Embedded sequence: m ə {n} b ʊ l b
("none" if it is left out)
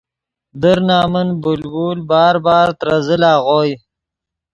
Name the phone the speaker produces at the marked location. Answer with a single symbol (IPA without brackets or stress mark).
n